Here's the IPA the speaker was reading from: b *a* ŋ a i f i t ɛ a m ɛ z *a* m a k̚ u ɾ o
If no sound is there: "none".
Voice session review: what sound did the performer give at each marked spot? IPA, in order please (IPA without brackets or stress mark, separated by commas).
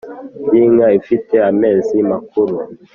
i, i